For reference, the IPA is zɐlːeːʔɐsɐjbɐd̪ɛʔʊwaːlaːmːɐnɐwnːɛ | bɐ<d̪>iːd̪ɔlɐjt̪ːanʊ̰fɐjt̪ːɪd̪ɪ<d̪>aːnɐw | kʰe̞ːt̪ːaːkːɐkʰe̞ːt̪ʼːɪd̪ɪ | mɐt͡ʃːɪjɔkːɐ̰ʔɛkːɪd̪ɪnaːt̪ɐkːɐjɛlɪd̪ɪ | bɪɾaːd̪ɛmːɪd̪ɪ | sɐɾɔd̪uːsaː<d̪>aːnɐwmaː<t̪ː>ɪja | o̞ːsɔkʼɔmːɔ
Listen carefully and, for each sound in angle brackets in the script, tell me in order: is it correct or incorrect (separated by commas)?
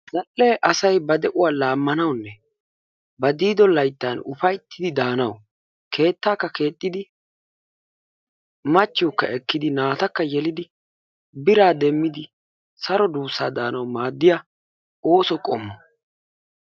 correct, correct, correct, incorrect